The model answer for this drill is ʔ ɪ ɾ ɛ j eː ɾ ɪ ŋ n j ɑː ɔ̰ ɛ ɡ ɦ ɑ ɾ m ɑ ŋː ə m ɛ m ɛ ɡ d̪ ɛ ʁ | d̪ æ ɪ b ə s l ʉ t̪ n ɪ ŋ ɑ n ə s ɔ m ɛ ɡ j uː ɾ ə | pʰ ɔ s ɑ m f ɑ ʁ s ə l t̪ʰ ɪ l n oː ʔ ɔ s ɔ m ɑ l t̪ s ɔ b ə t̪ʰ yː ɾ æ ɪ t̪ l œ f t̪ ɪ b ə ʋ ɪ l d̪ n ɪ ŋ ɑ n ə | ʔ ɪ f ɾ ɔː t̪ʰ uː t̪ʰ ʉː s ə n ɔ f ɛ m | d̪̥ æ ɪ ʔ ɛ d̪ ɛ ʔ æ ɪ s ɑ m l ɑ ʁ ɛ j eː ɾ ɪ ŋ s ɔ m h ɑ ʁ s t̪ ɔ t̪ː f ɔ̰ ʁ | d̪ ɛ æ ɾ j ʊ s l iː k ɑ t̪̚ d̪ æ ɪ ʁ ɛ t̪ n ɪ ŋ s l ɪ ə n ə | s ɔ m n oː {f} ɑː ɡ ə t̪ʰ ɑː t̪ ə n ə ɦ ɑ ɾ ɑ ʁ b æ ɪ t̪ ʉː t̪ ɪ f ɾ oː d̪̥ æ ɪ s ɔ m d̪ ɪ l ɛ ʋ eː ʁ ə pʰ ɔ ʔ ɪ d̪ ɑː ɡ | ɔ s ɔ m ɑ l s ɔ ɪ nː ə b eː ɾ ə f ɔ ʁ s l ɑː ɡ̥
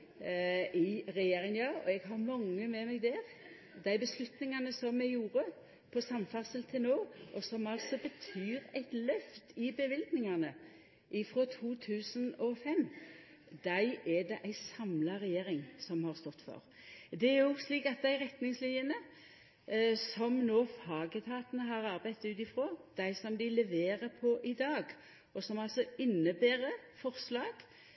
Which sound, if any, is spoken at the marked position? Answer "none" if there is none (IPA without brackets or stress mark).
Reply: f